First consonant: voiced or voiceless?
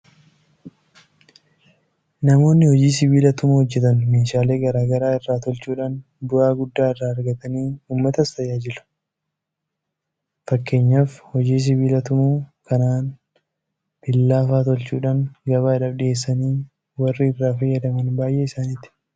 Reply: voiced